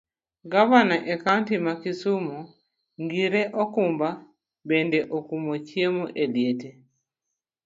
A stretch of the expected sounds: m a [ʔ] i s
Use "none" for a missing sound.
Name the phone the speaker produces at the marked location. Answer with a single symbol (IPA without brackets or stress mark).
k